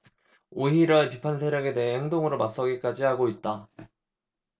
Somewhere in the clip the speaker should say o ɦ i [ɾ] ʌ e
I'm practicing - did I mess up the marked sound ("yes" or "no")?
no